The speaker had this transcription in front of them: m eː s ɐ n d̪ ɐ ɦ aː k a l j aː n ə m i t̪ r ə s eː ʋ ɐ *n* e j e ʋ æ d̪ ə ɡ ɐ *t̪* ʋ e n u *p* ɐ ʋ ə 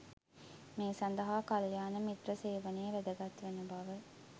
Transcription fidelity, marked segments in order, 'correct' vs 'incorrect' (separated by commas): correct, correct, incorrect